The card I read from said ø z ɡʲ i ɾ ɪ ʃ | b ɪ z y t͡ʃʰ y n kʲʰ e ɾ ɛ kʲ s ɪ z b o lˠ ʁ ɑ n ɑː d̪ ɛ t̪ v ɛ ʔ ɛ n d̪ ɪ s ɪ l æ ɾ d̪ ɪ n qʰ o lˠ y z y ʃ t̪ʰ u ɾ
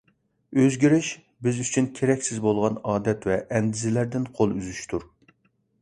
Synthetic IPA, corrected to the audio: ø z ɡʲ i ɾ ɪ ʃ | b ɪ z y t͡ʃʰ y n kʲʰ e ɾ ɛ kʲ s ɪ z b o lˠ ʁ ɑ n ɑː d̪ ɛ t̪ v ɛ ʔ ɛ n d̪ ɪ z ɪ l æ ɾ d̪ ɪ n qʰ o lˠ y z y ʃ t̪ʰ u ɾ